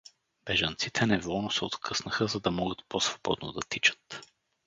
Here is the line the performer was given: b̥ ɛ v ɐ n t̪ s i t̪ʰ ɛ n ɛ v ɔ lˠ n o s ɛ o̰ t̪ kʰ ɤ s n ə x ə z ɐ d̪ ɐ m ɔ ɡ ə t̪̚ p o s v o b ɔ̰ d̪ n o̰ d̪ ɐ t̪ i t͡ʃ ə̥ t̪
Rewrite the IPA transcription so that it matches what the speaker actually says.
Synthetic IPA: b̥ ɛ ʒ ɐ n t̪ s i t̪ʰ ɛ n ɛ v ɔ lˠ n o s ɛ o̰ t̪ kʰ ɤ s n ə x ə z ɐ d̪ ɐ m ɔ ɡ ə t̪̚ p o s v o b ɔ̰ d̪ n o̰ d̪ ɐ t̪ i t͡ʃ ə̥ t̪